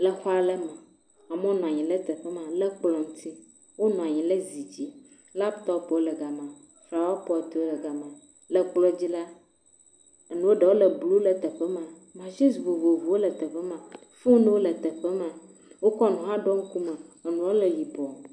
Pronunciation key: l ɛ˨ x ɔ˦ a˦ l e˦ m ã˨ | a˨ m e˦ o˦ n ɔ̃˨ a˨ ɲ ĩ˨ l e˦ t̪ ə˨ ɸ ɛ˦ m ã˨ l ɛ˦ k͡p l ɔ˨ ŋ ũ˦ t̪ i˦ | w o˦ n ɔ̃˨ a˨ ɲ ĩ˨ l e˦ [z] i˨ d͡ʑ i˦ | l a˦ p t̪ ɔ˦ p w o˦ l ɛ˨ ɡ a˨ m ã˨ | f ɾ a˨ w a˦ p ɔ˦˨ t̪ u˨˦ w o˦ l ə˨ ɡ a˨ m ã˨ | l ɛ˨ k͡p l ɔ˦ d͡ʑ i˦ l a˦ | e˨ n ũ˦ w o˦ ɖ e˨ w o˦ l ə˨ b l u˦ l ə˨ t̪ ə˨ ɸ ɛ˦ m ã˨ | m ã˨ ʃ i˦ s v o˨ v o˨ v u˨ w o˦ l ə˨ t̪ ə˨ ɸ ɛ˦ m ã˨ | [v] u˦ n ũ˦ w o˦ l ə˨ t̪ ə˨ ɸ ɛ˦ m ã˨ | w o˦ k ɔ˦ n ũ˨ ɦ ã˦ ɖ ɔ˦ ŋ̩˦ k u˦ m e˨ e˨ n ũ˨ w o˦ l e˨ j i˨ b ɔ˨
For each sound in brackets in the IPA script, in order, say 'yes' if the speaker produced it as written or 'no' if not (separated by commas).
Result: yes, no